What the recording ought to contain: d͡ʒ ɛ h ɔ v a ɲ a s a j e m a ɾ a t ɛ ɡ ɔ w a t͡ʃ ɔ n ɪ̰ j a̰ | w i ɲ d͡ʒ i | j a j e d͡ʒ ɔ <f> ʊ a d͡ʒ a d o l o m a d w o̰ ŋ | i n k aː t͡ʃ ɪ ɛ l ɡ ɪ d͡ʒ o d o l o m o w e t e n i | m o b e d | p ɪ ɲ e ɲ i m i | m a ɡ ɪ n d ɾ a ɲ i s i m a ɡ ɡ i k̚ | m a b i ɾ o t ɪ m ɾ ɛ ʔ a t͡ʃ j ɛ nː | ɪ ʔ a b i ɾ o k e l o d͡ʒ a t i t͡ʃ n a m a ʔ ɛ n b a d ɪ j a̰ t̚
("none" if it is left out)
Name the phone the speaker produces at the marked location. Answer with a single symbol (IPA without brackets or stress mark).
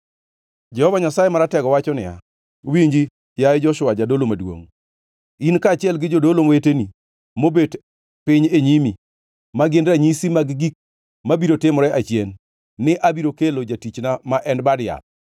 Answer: ʃ